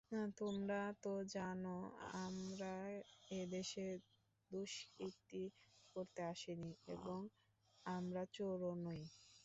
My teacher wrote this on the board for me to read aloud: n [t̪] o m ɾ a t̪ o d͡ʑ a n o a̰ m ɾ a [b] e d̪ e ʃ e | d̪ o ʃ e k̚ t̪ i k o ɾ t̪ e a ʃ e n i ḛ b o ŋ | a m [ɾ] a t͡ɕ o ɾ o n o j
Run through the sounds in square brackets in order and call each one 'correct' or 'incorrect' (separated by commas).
correct, incorrect, correct